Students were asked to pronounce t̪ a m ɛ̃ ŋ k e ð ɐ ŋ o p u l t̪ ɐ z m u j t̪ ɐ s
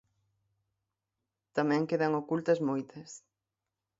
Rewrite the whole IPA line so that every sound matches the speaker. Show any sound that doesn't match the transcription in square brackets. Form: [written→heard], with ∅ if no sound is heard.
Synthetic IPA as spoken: t̪ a m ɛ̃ ŋ k e ð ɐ ŋ o [p→k] u l t̪ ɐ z m [u→o] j t̪ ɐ s